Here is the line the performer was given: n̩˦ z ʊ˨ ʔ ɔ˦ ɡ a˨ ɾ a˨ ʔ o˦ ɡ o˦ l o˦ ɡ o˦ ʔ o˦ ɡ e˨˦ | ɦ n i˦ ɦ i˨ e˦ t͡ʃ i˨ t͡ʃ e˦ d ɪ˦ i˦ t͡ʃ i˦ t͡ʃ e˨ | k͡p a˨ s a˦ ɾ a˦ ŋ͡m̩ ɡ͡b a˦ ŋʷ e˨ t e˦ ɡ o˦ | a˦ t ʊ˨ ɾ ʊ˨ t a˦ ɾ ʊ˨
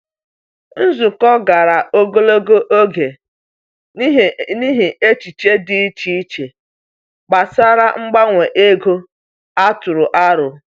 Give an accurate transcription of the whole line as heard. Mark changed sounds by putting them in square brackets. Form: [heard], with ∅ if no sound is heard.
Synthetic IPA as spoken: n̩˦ z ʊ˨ [k] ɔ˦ ɡ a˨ ɾ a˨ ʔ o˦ ɡ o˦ l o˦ ɡ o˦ ʔ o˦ ɡ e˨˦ | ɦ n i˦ ɦ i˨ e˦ t͡ʃ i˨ t͡ʃ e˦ d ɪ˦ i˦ t͡ʃ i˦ t͡ʃ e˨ | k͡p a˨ s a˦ ɾ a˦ ŋ͡m̩ ɡ͡b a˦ ŋʷ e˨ [ʔ] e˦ ɡ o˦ | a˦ t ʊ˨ ɾ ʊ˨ [ʔ] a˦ ɾ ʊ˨